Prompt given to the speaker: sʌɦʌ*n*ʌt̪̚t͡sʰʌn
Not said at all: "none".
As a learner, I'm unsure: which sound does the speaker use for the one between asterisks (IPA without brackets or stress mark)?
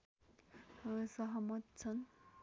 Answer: m